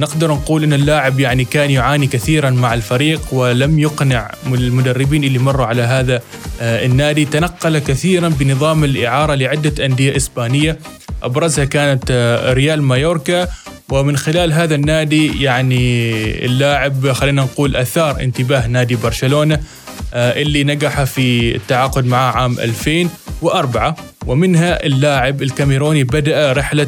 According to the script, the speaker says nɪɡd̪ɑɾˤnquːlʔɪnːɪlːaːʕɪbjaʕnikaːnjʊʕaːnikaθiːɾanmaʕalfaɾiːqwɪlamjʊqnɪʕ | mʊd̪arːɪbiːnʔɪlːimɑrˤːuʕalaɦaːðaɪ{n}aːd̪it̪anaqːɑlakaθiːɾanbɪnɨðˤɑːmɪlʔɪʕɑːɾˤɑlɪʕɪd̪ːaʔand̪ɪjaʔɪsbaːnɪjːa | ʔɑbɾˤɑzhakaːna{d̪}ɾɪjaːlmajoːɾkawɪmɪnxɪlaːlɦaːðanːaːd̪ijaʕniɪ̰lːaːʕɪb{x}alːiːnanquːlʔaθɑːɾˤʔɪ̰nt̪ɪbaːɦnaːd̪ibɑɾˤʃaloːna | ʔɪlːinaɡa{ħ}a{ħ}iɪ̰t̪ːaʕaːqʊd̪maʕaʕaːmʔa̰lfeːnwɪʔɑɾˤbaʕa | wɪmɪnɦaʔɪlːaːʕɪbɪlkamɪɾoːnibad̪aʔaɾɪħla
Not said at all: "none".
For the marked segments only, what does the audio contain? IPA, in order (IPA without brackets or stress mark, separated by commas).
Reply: nː, t̪, x, ħ, f